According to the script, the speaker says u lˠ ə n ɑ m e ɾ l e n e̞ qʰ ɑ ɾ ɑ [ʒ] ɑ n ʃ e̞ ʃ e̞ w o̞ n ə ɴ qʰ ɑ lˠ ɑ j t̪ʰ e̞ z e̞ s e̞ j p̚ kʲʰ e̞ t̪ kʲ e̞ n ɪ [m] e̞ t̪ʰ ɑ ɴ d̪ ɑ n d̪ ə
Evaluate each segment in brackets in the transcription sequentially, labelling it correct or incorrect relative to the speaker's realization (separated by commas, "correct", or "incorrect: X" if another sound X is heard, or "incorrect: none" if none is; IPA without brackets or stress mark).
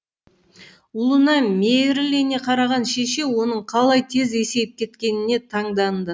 incorrect: ʁ, incorrect: n